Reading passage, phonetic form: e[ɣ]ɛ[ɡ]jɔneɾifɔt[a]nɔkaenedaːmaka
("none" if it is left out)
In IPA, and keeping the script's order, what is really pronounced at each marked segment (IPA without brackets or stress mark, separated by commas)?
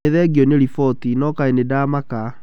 ð, ɡ, i